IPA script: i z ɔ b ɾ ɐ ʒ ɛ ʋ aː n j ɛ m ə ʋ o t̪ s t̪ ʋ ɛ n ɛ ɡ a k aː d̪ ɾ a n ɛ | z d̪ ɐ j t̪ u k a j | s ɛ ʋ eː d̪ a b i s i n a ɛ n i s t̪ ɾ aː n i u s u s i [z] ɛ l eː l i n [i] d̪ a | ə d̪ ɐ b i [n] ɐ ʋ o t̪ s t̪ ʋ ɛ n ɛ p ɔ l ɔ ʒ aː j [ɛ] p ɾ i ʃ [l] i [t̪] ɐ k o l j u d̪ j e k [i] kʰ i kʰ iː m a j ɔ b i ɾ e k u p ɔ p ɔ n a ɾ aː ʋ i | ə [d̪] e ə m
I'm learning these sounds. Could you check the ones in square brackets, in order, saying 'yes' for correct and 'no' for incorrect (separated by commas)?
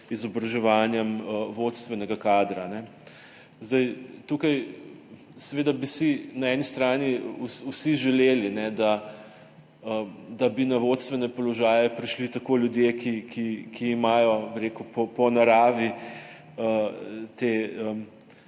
no, no, yes, yes, yes, yes, yes, no